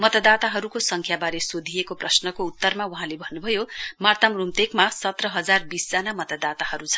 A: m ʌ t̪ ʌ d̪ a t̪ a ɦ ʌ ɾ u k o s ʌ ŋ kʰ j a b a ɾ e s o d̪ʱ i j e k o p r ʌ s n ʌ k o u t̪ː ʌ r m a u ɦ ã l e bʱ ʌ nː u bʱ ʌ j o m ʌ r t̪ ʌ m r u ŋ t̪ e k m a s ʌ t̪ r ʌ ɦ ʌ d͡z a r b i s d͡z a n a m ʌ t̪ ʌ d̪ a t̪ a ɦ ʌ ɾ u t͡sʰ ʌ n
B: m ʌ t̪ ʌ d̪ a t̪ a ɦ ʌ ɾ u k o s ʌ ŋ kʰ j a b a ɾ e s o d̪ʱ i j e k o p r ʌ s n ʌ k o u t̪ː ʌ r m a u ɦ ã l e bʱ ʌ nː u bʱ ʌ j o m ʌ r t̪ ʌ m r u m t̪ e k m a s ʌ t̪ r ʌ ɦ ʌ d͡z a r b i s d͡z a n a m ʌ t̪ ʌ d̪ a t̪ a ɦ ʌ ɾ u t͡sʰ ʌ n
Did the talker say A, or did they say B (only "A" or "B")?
B